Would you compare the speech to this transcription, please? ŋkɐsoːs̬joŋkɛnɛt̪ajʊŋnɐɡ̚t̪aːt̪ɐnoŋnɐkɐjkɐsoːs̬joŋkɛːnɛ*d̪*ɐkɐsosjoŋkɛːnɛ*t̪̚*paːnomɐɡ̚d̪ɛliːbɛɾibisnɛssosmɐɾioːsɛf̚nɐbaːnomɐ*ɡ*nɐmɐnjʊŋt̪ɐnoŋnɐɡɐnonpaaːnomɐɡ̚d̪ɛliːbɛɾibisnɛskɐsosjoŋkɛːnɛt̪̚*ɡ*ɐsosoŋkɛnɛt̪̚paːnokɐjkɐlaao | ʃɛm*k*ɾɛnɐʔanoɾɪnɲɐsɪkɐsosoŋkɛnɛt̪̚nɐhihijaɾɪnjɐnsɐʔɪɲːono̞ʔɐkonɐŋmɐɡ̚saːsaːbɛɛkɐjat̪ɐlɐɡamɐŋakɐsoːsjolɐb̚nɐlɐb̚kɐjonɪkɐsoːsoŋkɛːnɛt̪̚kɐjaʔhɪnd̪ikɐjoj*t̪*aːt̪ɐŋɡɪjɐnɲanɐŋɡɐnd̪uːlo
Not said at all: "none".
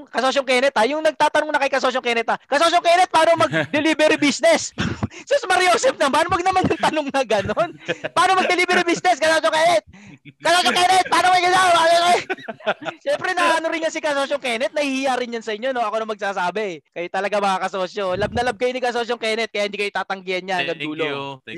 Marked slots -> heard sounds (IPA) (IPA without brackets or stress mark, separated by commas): t̪, t̪̚, ɡ, k, p, t̪